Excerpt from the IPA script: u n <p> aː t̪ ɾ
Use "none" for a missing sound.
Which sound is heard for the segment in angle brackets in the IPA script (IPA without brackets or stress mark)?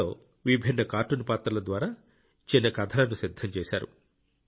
p